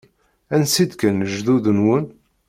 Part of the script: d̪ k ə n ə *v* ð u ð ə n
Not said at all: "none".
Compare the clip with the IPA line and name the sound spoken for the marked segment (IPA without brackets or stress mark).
ʒ